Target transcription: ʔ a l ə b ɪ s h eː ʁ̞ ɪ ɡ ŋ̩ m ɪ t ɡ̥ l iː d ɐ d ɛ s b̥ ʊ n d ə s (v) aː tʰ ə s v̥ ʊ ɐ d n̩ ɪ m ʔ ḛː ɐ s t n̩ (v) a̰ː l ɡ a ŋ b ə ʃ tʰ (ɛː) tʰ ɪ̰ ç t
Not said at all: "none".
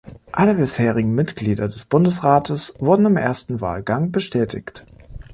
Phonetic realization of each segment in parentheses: ʁ, v, ɛː

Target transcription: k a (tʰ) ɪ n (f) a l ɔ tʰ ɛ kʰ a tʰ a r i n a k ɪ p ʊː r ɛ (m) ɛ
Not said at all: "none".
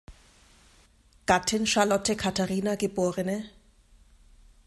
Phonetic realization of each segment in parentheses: tʰ, ʃ, n

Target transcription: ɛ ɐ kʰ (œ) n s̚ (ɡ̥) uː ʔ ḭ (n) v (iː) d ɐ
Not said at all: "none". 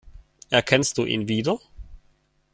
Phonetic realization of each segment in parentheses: ɛ, d̥, n, iː

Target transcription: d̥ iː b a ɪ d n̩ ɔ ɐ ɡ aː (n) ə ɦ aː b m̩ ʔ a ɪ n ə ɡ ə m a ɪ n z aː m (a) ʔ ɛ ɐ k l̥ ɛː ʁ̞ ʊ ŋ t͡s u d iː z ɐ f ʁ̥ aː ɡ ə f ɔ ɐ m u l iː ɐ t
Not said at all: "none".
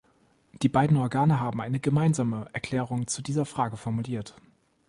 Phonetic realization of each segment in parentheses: n, ə

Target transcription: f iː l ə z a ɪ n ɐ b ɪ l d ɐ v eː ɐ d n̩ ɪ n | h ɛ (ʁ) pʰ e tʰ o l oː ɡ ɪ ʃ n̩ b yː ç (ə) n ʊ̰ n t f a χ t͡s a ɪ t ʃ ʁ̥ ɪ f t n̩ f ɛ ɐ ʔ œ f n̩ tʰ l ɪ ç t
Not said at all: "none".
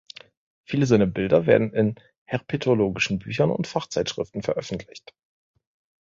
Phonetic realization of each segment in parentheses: ʁ, ɐ

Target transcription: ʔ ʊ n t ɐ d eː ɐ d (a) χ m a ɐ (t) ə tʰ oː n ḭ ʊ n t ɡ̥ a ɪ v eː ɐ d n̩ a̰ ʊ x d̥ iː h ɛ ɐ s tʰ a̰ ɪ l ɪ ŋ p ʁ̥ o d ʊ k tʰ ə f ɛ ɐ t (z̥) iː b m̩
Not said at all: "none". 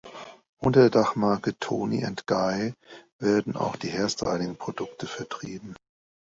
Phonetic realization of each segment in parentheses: a, k, ʁ̥

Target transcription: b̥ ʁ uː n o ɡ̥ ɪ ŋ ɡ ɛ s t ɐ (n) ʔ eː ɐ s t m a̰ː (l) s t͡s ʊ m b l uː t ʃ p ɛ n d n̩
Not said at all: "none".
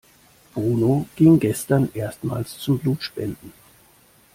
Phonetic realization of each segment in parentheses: n, l

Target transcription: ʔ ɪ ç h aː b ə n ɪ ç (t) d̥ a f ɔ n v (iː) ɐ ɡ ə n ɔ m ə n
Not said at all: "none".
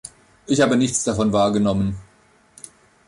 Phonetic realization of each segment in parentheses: t͡s, aː

